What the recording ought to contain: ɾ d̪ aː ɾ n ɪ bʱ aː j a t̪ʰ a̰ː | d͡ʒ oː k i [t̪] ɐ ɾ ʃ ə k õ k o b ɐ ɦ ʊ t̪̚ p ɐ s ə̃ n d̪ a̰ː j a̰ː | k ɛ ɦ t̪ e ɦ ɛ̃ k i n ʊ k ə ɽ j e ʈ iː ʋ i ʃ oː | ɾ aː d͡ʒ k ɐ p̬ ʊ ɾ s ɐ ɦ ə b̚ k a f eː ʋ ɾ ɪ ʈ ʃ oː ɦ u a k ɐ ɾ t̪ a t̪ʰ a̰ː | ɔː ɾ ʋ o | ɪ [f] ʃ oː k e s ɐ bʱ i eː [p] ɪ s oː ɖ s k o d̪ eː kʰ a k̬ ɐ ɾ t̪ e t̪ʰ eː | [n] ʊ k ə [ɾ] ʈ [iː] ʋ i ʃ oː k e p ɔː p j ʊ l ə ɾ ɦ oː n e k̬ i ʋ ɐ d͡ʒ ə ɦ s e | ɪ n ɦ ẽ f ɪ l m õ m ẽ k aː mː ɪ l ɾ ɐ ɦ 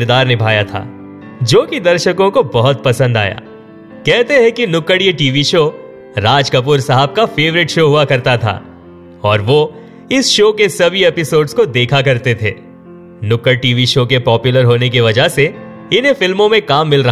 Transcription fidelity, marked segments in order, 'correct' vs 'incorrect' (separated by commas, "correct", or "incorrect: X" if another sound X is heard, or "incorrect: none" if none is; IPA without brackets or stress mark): incorrect: d̪, incorrect: s, correct, correct, incorrect: ɽ, correct